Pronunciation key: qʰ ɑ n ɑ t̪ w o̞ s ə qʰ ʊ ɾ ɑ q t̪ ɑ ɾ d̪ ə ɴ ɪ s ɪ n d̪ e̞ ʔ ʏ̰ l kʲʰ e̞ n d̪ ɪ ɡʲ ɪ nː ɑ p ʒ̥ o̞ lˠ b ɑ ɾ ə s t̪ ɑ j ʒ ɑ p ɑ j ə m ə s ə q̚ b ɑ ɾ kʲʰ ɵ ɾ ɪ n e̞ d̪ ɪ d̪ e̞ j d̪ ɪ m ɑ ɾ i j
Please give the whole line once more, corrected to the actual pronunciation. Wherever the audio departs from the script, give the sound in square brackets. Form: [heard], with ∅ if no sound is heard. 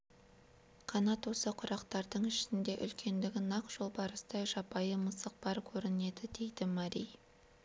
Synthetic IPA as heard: qʰ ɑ n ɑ t̪ w o̞ s ə qʰ ʊ ɾ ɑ q t̪ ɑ ɾ d̪ ə ɴ ɪ [ʃ] ɪ n d̪ e̞ ʔ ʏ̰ l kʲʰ e̞ n d̪ ɪ ɡʲ ɪ [n] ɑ [q] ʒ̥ o̞ lˠ b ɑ ɾ ə s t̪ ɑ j ʒ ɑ p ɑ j ə m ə s ə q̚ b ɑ ɾ kʲʰ ɵ ɾ ɪ n e̞ d̪ ɪ d̪ e̞ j d̪ ɪ m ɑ ɾ i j